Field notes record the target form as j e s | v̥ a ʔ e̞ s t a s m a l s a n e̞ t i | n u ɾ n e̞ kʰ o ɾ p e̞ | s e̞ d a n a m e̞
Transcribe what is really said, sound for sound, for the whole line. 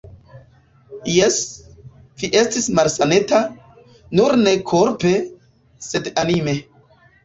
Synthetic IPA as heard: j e s | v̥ i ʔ e̞ s t i s m a l s a n e̞ t a | n u ɾ n e̞ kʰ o ɾ p e̞ | s e̞ d a n i m e̞